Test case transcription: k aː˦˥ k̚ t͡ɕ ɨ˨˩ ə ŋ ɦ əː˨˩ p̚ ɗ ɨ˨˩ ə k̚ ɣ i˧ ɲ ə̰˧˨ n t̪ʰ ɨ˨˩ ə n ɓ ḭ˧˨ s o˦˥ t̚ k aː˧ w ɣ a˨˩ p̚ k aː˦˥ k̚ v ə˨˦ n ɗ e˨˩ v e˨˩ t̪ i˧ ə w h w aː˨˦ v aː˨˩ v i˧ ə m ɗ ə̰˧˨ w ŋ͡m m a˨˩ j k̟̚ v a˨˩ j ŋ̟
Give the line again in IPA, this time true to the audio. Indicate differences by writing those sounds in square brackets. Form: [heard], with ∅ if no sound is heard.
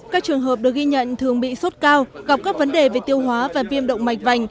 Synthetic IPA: k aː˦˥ k̚ t͡ɕ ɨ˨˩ ə ŋ ɦ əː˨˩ p̚ ɗ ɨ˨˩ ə k̚ ɣ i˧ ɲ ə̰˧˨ n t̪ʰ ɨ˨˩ ə [ŋ] ɓ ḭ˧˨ s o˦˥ t̚ k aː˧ w ɣ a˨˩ p̚ k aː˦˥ k̚ v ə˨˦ n ɗ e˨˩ v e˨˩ t̪ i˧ ə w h w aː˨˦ v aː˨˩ v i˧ ə m ɗ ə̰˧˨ w ŋ͡m m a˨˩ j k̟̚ v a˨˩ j ŋ̟